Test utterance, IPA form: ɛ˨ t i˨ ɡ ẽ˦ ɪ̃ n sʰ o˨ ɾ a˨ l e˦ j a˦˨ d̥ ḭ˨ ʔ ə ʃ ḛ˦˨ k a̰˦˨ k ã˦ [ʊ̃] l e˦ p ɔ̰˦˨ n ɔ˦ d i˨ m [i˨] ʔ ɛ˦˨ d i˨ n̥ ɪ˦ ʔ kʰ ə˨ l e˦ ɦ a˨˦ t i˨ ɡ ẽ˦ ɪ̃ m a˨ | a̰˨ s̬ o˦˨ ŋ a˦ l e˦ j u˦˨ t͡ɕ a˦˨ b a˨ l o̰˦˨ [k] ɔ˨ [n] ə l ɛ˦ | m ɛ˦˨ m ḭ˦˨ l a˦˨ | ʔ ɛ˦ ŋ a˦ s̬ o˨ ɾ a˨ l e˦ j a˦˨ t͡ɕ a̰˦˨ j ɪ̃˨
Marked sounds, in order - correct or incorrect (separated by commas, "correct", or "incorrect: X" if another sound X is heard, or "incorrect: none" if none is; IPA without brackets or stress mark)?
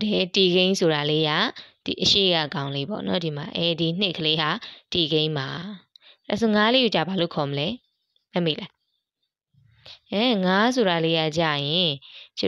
correct, incorrect: a˨, incorrect: kʰ, incorrect: m